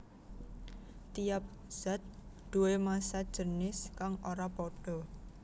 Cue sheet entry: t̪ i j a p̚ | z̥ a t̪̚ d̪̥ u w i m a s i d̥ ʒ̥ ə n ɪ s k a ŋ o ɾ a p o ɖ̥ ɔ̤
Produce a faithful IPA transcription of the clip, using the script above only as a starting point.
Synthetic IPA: t̪ i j a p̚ | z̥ a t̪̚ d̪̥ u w e m a s a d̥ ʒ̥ ə n ɪ s k a ŋ o ɾ a p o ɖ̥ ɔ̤